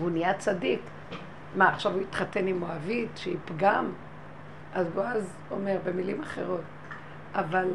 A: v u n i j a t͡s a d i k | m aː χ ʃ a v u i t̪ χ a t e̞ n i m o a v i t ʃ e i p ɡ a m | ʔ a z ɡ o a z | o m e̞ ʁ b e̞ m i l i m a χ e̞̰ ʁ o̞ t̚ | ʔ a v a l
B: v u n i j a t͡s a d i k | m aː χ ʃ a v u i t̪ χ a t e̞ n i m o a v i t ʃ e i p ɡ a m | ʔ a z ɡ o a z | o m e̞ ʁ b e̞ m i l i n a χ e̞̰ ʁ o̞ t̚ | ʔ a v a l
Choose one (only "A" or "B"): A